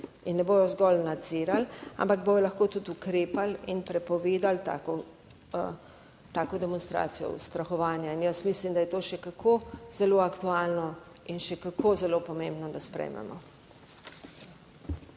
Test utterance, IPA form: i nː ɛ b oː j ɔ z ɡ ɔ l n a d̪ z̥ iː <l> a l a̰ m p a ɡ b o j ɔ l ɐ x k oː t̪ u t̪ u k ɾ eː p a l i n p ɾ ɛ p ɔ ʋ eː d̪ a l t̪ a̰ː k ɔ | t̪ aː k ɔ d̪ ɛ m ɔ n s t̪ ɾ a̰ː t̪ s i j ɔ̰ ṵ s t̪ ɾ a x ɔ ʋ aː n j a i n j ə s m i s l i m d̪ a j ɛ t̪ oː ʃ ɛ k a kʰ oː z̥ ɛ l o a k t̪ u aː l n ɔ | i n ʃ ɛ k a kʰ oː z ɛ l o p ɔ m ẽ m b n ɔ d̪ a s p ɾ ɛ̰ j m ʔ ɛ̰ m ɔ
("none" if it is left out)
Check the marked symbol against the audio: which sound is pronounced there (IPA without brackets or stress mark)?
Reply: ɾ